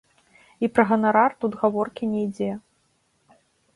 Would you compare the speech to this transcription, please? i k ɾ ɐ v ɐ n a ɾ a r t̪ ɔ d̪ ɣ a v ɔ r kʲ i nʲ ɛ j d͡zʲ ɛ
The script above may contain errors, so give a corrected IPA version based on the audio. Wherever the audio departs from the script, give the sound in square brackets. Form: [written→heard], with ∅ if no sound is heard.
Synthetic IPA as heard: i [k→p] ɾ ɐ [v→ɣ] ɐ n a ɾ a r t̪ [ɔ→u] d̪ ɣ a v ɔ r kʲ i nʲ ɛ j d͡zʲ ɛ